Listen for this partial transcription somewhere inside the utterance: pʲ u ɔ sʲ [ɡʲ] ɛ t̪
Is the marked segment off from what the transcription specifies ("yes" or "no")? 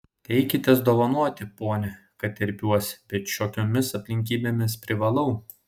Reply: yes